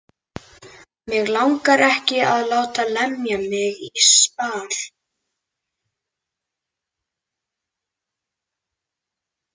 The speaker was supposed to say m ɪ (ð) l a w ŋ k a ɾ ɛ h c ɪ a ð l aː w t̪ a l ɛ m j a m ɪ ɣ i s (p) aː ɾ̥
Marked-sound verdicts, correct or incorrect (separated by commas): incorrect, correct